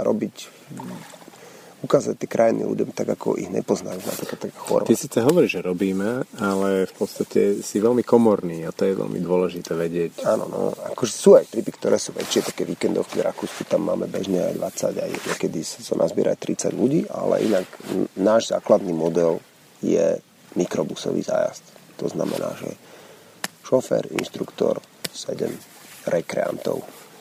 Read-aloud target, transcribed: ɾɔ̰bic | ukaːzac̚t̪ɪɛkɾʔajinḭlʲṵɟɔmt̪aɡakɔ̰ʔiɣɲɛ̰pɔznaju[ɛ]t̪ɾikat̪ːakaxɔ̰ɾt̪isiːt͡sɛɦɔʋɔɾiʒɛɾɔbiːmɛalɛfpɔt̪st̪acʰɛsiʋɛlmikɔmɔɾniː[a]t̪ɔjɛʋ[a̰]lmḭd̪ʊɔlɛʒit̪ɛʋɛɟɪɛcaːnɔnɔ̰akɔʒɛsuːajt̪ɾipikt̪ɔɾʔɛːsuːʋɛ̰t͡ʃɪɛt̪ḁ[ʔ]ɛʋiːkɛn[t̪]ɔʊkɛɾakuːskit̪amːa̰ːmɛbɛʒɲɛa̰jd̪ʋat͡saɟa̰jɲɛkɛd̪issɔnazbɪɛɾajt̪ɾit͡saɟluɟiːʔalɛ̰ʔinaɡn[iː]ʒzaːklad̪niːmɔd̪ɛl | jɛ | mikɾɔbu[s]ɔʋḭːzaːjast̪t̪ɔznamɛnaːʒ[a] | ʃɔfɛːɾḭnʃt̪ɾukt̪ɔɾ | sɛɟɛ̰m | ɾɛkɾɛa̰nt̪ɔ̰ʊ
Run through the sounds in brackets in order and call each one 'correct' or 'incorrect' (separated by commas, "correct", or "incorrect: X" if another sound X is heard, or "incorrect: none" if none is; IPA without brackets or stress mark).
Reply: incorrect: a, correct, incorrect: ɛ̰, incorrect: k, incorrect: d̪, incorrect: aː, correct, incorrect: ɛ